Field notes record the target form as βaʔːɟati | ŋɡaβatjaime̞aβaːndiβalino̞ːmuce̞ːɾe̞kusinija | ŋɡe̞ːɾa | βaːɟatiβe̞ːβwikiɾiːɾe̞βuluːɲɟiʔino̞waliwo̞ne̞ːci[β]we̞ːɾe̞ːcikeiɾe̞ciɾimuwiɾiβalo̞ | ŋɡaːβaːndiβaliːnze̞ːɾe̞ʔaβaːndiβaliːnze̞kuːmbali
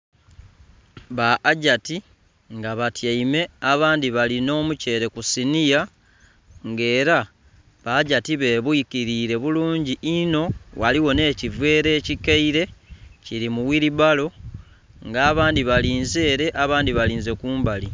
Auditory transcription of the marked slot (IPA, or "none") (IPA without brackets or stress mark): v